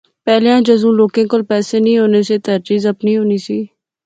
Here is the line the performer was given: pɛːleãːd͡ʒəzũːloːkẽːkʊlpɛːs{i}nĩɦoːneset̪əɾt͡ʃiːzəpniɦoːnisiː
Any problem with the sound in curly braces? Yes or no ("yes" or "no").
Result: yes